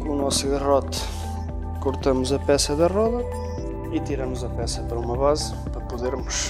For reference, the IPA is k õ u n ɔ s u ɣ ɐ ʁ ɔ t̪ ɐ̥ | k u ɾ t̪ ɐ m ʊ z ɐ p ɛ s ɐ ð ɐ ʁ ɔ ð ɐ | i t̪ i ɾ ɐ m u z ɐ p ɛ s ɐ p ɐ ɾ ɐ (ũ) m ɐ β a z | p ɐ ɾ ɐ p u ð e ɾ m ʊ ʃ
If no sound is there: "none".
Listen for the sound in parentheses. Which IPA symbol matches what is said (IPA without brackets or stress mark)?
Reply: u